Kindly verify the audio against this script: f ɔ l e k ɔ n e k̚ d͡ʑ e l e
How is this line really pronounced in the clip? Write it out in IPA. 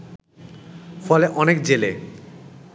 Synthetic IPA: f ɔ l e ʔ ɔ n e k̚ d͡ʑ e l e